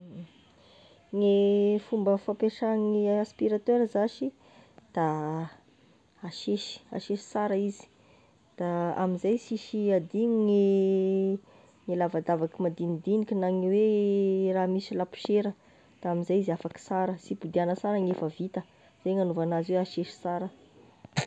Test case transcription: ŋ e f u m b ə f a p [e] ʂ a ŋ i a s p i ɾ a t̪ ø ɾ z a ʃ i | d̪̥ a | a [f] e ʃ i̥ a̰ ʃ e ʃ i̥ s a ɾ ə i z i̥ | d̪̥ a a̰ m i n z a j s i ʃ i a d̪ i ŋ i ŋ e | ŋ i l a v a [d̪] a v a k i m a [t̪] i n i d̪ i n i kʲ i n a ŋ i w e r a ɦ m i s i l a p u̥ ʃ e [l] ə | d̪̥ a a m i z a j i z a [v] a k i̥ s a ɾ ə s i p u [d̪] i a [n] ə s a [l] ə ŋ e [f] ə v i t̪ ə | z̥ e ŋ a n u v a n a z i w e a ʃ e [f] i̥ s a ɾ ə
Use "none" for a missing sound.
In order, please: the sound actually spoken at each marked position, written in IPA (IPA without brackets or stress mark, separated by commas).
e, ʃ, d̪, d̪, ɾ, f, d̪, n, ɾ, f, ʃ